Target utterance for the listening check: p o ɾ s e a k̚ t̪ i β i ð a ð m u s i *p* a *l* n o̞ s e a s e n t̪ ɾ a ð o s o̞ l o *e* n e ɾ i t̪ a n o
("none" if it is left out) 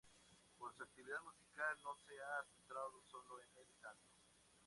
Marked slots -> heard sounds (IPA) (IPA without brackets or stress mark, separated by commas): k, l, e